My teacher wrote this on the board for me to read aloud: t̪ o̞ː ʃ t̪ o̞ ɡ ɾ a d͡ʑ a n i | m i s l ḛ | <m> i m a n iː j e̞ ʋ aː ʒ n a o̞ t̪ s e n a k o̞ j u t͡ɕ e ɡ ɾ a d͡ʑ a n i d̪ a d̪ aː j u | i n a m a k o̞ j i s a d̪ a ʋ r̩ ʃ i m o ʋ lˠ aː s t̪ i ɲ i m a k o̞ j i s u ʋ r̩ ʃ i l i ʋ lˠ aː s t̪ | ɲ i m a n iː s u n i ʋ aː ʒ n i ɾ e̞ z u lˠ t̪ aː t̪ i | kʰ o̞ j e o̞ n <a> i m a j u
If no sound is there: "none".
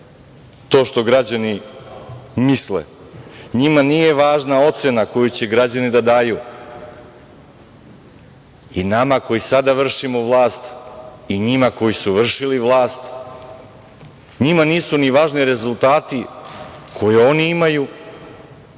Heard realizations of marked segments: ɲ, i

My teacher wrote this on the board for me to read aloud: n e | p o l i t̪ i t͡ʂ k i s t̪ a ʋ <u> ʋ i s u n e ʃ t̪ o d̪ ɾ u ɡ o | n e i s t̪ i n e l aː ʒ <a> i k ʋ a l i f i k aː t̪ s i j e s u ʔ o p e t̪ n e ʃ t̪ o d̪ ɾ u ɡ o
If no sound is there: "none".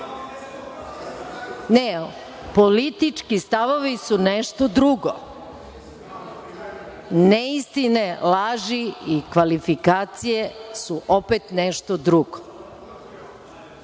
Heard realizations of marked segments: o, i

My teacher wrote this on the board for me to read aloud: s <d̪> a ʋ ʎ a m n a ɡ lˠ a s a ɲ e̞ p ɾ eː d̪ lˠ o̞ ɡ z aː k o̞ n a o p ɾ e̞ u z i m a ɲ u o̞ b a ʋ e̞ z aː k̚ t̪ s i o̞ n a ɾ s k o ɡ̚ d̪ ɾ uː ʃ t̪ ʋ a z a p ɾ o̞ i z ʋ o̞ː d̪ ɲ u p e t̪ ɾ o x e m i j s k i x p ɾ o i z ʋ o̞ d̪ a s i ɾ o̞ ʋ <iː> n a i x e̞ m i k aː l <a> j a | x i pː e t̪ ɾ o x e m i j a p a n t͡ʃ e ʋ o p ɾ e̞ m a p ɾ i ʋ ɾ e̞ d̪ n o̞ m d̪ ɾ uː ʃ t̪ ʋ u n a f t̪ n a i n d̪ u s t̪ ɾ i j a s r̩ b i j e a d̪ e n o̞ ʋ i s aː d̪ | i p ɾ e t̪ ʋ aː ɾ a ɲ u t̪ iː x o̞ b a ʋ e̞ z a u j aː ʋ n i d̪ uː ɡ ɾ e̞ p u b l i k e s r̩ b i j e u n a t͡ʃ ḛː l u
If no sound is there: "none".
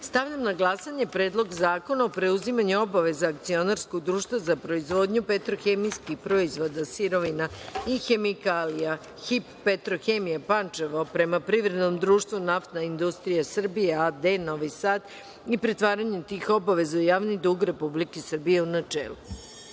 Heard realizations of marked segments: t̪, i, i

